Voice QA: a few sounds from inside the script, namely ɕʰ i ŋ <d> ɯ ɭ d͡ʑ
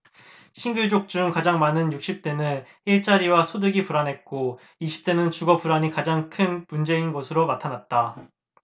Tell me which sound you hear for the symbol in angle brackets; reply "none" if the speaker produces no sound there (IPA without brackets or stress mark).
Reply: ɡ